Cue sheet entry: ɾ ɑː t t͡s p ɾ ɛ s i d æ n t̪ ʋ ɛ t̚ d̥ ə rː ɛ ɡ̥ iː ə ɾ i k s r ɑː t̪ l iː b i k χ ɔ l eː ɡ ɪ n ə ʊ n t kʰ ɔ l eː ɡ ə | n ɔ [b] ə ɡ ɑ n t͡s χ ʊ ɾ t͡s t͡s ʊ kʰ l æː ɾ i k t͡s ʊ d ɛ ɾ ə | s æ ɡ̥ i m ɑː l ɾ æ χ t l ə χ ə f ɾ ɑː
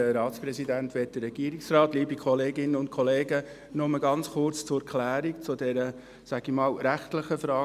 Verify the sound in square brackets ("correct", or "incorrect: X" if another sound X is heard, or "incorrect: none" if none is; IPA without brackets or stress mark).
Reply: incorrect: m